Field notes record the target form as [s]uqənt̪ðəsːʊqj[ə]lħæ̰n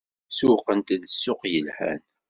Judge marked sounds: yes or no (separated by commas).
yes, yes